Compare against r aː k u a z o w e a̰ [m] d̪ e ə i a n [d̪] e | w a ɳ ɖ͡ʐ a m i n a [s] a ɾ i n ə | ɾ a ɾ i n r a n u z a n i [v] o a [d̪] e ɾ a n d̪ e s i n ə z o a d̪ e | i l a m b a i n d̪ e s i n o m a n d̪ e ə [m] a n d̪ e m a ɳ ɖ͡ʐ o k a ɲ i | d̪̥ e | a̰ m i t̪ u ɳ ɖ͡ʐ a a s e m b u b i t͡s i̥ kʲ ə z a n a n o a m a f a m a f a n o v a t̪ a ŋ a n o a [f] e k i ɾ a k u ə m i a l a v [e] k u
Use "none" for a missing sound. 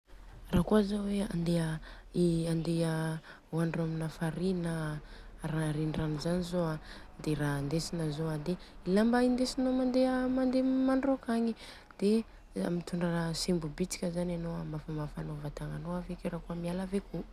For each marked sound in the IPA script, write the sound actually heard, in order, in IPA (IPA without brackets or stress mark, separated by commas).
n, d̪, f, z, d̪, m, v, e